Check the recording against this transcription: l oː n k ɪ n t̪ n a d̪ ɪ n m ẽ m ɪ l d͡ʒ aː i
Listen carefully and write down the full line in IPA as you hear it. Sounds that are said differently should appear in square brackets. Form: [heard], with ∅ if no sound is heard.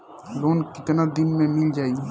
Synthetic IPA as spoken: l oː n k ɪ [∅] t̪ n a d̪ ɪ n m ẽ m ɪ l d͡ʒ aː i